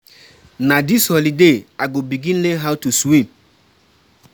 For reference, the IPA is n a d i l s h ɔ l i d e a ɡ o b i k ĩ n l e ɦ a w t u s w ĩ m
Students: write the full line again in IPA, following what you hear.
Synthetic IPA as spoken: n a d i s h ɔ l i d e a ɡ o b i ɡ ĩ n l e ɦ a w t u s w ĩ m